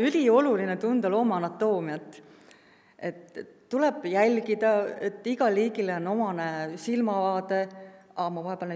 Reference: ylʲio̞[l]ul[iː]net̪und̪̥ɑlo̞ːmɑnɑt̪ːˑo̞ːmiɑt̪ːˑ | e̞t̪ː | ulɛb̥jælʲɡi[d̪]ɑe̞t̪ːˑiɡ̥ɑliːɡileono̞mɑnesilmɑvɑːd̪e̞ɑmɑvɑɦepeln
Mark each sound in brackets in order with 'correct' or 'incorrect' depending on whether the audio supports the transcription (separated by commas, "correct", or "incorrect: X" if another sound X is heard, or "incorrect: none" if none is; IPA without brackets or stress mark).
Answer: correct, incorrect: i, correct